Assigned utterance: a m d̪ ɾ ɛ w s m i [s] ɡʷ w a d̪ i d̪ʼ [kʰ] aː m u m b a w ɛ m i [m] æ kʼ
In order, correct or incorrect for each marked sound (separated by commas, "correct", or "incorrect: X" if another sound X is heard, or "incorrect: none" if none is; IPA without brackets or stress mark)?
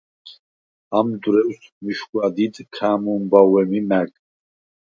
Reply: incorrect: ʃ, correct, correct